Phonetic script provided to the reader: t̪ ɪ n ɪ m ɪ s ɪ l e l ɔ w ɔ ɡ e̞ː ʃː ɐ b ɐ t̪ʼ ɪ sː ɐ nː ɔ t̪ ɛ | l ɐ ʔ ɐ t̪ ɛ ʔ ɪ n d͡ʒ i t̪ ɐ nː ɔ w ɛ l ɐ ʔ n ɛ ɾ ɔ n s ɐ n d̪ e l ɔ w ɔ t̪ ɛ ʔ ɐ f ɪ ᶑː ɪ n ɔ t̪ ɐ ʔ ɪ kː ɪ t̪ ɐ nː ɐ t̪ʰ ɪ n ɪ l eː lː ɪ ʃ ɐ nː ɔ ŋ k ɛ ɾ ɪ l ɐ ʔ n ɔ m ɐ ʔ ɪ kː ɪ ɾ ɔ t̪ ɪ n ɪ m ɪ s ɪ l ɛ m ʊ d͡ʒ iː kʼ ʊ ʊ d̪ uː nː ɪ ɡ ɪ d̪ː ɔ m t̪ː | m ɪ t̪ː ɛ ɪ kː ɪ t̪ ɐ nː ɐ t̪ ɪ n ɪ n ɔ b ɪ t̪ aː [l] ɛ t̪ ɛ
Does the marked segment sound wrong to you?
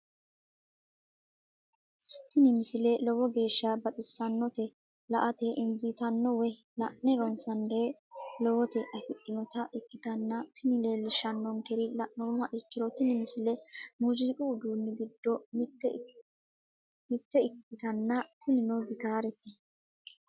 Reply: yes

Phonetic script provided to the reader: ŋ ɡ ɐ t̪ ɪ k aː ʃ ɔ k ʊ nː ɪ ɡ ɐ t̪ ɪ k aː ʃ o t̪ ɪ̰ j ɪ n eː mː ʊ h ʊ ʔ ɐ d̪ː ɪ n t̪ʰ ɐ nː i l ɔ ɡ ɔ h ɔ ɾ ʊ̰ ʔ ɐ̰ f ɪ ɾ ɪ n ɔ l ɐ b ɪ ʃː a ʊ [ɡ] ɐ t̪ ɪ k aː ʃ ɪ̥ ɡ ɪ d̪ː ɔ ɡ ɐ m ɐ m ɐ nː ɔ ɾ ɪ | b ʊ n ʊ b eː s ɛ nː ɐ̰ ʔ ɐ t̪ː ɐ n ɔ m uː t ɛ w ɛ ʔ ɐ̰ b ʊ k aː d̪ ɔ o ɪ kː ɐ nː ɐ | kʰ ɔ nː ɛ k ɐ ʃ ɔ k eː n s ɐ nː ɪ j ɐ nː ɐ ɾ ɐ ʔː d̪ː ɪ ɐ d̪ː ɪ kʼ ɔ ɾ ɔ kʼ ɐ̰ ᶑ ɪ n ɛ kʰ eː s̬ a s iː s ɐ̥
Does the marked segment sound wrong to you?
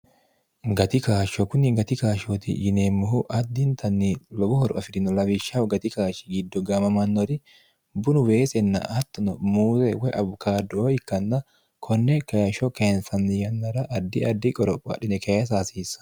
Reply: no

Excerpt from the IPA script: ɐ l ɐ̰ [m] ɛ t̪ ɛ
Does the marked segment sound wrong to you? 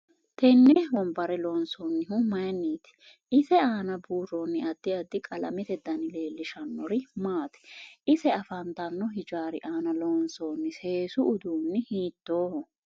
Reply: no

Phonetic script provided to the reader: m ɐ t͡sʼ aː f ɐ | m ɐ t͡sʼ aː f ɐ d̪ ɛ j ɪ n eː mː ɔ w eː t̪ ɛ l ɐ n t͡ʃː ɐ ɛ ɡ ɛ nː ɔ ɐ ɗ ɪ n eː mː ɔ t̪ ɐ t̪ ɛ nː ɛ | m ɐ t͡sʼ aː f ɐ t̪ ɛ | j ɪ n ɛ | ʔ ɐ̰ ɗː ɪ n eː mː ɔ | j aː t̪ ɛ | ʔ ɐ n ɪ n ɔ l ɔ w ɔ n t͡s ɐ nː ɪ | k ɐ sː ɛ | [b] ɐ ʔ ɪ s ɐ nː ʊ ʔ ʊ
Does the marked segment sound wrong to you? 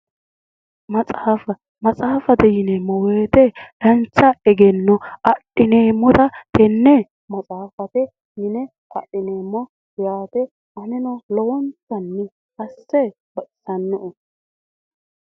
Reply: no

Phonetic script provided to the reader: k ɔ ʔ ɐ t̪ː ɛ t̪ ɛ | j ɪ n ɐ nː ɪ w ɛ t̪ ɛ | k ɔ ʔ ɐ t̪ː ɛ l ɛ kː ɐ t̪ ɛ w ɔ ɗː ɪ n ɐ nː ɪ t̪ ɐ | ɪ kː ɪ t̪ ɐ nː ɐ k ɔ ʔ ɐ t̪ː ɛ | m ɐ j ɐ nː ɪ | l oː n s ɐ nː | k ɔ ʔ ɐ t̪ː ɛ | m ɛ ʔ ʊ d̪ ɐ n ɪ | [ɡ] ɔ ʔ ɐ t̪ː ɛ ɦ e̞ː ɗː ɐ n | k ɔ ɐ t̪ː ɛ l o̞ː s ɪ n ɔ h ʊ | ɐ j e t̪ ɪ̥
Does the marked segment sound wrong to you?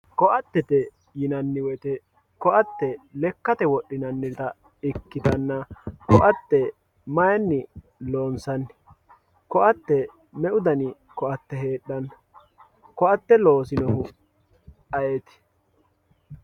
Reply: yes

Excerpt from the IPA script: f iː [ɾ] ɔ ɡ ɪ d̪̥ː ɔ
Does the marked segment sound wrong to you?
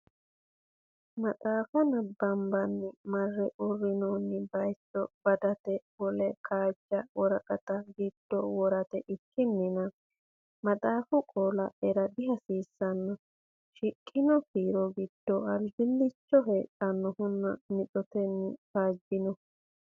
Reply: no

